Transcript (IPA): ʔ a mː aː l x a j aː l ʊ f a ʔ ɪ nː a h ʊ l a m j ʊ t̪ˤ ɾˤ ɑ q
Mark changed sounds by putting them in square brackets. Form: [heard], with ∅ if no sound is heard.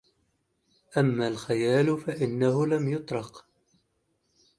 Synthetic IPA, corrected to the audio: ʔ a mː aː l x a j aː l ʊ f a ʔ ɪ nː a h ʊ l a m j ʊ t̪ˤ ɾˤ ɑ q

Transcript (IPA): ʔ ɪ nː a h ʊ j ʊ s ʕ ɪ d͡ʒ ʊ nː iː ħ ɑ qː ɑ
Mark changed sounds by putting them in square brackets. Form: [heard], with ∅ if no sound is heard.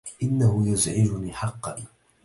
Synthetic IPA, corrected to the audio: ʔ ɪ nː a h ʊ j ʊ [z] ʕ ɪ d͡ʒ ʊ [n] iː ħ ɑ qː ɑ

